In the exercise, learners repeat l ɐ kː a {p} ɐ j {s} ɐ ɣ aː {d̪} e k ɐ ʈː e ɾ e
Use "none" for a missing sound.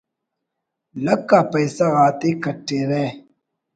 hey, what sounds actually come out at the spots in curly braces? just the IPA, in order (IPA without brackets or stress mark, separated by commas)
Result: p, s, t̪